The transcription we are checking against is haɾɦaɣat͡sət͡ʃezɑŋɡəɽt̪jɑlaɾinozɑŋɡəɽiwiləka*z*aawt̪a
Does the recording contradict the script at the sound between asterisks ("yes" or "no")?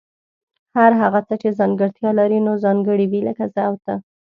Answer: no